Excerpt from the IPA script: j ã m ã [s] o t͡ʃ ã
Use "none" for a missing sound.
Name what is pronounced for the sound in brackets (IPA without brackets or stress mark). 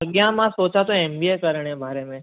s